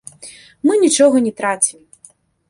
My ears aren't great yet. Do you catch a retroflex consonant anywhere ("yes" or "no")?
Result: yes